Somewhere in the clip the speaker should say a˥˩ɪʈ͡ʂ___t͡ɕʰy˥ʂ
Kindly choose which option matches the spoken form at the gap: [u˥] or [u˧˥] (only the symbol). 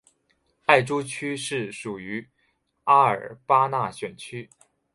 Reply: u˥